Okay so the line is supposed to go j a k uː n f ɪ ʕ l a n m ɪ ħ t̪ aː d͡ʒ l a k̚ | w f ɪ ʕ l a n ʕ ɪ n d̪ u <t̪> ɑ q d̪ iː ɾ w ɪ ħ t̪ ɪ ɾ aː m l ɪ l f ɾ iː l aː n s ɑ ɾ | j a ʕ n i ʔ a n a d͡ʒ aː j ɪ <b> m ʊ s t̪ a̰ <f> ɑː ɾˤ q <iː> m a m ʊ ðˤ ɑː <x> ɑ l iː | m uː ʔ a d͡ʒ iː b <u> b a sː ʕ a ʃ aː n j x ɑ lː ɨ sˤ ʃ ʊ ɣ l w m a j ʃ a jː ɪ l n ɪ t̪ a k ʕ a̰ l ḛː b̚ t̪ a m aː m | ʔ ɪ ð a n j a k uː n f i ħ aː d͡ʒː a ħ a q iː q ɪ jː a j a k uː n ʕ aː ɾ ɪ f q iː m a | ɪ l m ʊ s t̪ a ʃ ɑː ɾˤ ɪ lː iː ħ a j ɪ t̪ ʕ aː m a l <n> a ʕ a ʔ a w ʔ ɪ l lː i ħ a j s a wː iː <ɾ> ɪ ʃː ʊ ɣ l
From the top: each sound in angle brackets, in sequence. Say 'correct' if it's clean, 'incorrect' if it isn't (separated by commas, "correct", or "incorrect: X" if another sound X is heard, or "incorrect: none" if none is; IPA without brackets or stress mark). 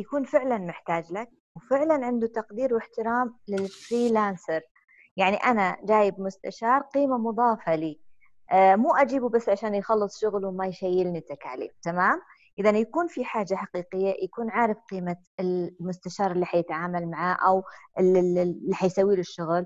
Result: correct, correct, incorrect: ʃ, correct, incorrect: f, correct, incorrect: m, incorrect: l